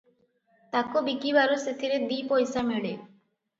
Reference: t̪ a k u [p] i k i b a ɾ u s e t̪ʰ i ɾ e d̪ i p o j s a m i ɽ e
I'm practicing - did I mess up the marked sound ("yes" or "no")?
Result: yes